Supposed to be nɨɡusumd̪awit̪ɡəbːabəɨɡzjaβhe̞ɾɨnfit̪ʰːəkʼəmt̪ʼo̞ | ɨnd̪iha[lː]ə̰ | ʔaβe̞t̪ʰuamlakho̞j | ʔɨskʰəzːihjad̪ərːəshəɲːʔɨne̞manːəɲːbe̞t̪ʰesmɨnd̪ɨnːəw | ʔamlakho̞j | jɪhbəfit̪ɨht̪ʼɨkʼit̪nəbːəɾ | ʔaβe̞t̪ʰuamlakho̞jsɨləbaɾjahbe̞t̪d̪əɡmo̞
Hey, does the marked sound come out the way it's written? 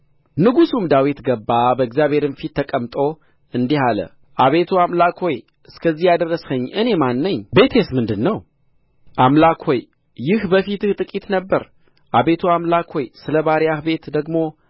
no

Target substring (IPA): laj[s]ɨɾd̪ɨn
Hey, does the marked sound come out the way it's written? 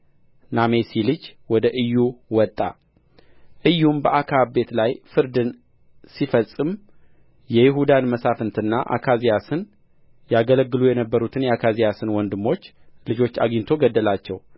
no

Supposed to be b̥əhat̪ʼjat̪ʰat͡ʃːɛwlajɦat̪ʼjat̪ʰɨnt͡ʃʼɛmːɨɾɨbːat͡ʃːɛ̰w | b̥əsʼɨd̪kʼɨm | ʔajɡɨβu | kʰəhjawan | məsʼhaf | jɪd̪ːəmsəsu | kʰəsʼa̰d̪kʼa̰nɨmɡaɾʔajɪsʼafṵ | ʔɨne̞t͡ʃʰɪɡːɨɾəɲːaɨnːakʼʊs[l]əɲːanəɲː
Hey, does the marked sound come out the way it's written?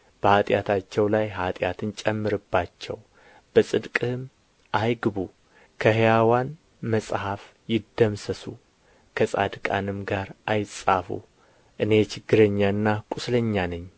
yes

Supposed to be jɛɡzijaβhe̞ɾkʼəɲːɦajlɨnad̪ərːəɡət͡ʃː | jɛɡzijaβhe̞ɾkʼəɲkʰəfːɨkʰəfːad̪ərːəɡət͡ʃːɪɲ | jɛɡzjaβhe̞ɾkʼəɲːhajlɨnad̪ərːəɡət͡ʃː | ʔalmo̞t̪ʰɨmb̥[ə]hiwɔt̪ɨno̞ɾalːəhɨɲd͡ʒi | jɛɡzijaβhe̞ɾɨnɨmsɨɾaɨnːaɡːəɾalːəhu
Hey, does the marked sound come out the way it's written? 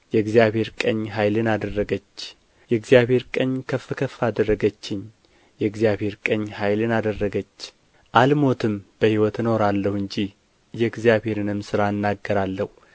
yes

